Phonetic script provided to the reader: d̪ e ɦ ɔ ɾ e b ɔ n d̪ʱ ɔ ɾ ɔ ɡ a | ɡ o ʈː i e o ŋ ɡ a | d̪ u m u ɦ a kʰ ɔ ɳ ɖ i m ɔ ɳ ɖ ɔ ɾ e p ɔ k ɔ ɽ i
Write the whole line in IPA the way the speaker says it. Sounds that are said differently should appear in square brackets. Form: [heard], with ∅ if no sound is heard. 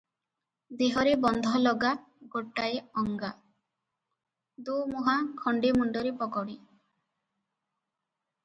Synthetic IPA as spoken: d̪ e ɦ ɔ ɾ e b ɔ n d̪ʱ ɔ [l] ɔ ɡ a | ɡ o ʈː [a] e [ɔ] ŋ ɡ a | d̪ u m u ɦ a kʰ ɔ ɳ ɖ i m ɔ ɳ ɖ ɔ ɾ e p ɔ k ɔ ɽ i